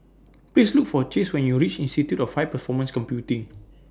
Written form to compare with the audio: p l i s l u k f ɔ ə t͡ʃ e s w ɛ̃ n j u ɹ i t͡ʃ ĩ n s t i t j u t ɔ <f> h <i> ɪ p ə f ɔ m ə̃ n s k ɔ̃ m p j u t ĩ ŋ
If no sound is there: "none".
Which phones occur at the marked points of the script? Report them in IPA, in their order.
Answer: f, a

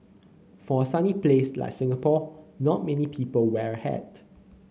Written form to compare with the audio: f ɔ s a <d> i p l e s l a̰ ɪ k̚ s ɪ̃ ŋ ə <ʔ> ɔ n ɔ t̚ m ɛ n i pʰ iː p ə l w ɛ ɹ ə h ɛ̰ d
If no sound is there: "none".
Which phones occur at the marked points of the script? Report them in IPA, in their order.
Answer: n, p

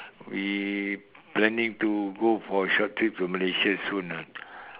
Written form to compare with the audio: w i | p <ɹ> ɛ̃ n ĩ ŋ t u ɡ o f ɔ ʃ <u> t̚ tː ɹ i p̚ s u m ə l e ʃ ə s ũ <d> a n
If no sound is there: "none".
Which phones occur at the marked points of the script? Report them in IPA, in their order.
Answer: l, ɔ, n

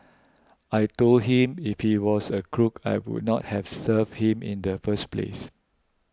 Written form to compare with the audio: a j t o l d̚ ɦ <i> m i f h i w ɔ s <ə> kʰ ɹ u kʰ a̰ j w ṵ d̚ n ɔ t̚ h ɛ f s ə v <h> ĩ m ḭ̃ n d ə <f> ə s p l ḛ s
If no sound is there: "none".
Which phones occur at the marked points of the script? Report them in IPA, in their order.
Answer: ĩ, ə, h, f

